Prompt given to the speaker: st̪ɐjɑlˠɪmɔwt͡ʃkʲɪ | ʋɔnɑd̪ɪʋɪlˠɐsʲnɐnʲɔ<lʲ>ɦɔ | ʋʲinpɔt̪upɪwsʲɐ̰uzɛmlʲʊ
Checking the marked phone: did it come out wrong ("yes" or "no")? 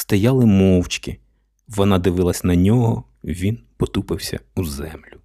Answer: yes